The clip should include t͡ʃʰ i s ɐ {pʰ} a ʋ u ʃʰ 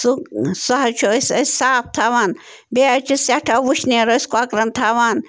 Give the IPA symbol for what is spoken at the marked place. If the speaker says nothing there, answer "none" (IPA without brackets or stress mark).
ʈʰ